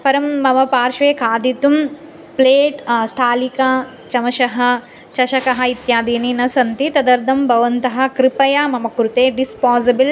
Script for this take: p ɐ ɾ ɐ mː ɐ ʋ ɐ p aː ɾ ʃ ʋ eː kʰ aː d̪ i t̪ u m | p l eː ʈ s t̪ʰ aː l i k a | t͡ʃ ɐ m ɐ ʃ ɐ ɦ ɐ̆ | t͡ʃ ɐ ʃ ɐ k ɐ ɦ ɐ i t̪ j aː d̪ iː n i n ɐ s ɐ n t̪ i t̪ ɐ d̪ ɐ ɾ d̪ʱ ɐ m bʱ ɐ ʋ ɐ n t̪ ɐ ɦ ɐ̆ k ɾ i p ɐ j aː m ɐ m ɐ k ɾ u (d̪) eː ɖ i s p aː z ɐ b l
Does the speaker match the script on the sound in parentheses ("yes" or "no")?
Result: no